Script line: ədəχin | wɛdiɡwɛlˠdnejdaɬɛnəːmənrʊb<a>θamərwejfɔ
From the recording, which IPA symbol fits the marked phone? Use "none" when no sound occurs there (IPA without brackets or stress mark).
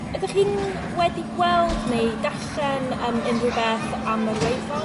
ɛ